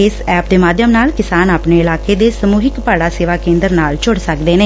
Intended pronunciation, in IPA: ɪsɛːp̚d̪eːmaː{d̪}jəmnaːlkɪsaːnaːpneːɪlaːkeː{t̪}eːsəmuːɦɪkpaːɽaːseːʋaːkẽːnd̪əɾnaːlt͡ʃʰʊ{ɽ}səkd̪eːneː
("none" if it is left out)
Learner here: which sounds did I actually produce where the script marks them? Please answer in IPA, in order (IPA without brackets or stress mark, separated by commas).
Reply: d̪, d̪, ɽ